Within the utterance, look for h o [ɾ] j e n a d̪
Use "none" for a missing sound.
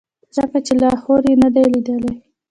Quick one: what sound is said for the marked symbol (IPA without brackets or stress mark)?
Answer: ɾ